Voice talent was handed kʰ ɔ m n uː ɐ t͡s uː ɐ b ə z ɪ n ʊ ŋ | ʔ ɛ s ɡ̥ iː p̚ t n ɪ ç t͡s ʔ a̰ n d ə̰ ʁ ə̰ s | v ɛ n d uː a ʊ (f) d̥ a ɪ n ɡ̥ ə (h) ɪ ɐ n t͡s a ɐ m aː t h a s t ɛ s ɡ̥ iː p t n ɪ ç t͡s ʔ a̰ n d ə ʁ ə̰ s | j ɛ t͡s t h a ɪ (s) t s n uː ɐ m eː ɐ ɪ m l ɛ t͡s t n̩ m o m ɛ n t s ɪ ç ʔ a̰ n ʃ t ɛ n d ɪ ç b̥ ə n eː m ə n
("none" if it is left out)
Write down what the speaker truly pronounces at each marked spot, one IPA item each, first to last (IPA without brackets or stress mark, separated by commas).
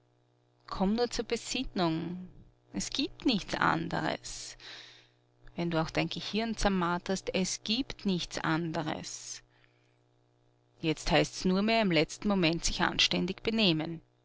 x, h, s